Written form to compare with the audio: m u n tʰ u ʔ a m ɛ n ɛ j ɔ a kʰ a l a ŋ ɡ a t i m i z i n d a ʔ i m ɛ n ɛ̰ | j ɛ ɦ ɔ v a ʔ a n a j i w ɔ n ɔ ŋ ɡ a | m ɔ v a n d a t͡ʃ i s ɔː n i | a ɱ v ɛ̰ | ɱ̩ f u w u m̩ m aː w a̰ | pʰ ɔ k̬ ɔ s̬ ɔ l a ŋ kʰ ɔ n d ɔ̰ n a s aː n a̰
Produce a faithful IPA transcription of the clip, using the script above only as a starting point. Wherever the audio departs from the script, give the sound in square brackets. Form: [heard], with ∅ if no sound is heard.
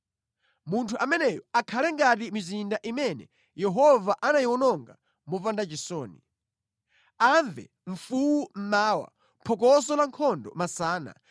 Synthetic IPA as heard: m u n tʰ u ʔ a m ɛ n ɛ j ɔ a kʰ a l [ɛ] ŋ ɡ a t i m i z i n d a ʔ i m ɛ n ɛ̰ | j ɛ ɦ ɔ v a ʔ a n a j i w ɔ n ɔ ŋ ɡ a | m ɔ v a n d a t͡ʃ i s ɔː n i | a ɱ v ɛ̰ | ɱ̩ f u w u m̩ m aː w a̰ | pʰ ɔ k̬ ɔ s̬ ɔ l a ŋ kʰ ɔ n d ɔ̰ [m] a s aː n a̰